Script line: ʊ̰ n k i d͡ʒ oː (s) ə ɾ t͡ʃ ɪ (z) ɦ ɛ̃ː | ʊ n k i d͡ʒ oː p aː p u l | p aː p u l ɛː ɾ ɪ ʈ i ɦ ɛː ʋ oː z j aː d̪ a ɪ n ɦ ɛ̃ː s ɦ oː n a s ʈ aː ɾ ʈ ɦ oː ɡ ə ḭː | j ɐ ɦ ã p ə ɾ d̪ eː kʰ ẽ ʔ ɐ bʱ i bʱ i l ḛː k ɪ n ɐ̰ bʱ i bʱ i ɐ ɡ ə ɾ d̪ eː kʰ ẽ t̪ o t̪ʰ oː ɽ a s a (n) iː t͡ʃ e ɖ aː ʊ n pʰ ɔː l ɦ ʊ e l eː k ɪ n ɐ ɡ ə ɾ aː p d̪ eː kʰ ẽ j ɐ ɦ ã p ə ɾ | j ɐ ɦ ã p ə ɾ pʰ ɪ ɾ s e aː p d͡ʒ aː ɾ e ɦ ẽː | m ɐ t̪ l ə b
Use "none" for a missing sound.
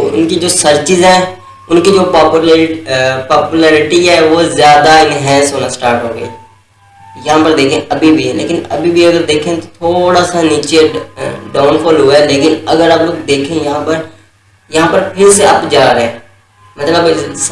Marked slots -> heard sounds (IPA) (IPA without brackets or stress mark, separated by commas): s, z, n